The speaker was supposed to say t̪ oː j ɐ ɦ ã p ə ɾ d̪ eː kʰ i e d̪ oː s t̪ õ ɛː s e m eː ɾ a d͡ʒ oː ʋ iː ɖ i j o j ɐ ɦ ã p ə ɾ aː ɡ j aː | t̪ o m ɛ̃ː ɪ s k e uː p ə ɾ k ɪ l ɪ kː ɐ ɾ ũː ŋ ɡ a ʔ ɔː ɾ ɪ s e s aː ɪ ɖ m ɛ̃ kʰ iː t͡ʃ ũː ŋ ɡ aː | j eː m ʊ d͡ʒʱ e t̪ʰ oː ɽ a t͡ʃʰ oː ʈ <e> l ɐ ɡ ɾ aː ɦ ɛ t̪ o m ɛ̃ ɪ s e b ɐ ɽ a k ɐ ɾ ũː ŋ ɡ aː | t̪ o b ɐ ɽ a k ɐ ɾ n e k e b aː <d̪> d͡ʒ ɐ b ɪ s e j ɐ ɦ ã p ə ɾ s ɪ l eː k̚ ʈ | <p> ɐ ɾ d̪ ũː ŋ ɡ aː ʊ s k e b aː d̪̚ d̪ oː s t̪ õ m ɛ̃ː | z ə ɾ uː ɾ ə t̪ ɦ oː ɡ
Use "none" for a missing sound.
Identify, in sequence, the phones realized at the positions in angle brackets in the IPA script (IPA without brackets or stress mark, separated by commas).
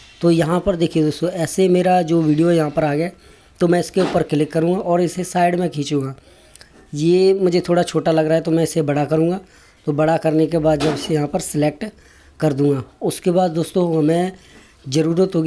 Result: a, d̪, k